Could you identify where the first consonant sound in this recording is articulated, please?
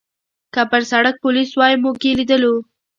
velar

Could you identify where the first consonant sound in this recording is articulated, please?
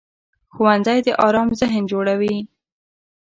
velar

